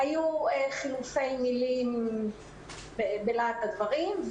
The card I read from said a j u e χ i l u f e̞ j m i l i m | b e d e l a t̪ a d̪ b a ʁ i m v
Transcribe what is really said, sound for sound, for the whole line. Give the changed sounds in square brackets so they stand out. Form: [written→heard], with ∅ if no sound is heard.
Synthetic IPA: a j u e χ i l u f e̞ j m i l i m | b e [d→b] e l a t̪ a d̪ [b→v] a ʁ i m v